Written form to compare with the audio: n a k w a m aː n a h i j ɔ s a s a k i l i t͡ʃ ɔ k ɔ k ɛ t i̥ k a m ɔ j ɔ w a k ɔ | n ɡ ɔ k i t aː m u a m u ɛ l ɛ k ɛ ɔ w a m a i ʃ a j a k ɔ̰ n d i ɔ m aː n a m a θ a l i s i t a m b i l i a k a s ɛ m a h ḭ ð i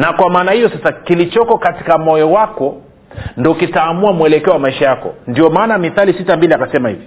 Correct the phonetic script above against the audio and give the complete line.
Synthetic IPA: n a k w a m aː n a h i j ɔ s a s a k i l i t͡ʃ ɔ k ɔ k a t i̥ k a m ɔ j ɔ w a k ɔ | n d ɔ k i t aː m u a m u ɛ l ɛ k ɛ ɔ w a m a i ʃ a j a k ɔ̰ n d i ɔ m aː n a m i θ a l i s i t a m b i l i a k a s ɛ m a h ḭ v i